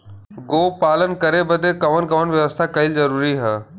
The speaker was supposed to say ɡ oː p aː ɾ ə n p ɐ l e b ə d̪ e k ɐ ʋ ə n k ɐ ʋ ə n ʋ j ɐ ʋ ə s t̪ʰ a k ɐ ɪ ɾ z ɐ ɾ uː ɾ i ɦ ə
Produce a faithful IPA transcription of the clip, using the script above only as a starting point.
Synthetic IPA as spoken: ɡ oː p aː l ə n k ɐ ɾ e b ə d̪ e k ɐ ʋ ə n k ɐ ʋ ə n ʋ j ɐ ʋ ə s t̪ʰ a k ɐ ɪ l z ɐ ɾ uː ɾ i ɦ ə